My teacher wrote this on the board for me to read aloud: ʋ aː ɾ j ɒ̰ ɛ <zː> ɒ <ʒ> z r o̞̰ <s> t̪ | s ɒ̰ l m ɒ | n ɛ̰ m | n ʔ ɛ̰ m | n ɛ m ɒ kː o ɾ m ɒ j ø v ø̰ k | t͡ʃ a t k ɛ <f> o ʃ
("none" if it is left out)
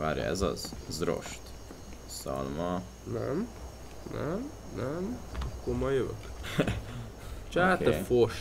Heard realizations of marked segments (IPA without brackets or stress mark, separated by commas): z, z, ʃ, f